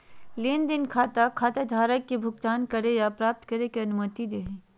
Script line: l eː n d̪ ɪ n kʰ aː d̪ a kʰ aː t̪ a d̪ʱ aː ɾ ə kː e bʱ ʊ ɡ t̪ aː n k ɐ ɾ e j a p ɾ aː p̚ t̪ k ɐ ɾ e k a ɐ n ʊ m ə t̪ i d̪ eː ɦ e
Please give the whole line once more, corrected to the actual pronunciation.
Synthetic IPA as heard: l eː n d̪ ɪ n kʰ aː t̪ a kʰ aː t̪ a d̪ʱ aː ɾ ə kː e bʱ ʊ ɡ t̪ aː n k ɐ ɾ e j a p ɾ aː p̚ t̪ k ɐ ɾ e k e ɐ n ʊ m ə t̪ i d̪ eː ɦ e